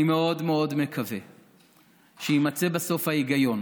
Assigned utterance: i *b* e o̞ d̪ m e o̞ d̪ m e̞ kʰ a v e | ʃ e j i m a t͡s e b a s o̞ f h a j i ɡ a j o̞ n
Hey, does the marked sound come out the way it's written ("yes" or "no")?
no